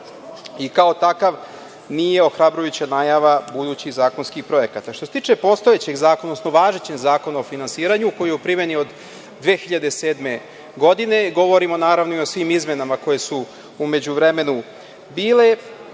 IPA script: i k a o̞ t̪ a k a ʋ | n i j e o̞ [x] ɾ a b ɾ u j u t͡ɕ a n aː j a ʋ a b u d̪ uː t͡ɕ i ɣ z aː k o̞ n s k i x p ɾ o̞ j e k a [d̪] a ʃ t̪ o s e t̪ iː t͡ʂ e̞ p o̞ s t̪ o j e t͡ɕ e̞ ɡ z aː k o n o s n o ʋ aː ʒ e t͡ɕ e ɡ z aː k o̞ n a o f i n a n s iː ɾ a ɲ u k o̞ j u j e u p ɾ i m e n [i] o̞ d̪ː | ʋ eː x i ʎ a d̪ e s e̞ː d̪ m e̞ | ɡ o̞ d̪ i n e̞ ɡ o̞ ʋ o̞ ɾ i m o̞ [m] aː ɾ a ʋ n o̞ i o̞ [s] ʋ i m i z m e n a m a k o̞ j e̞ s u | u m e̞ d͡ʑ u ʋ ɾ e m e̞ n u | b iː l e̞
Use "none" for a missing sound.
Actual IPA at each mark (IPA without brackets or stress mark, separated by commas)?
x, t̪, i, n, s